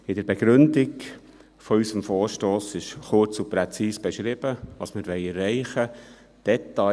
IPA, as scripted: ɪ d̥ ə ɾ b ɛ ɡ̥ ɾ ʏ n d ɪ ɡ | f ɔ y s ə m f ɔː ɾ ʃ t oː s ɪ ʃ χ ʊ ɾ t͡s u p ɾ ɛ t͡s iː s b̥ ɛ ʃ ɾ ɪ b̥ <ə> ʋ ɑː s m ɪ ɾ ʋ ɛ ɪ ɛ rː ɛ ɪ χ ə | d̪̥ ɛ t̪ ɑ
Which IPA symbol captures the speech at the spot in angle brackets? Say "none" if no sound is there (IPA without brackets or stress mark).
ə